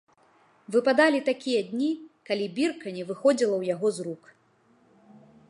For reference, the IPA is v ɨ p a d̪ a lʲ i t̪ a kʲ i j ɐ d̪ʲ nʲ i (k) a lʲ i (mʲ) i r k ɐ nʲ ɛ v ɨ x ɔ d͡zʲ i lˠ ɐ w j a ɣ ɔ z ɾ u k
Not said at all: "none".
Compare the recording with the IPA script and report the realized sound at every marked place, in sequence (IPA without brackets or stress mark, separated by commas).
k, bʲ